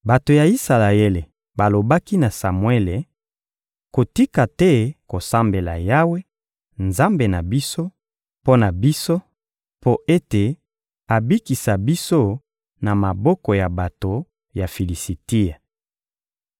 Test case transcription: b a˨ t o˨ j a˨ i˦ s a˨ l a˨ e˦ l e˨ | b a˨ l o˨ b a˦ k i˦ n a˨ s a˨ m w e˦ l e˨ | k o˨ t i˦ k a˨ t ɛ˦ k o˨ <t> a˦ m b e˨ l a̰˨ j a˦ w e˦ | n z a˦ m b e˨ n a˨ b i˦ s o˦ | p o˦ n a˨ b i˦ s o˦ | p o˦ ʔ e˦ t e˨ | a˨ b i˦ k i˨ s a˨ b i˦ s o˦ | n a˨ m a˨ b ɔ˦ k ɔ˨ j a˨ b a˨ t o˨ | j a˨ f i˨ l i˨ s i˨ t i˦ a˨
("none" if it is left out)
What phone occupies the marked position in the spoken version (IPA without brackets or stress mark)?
s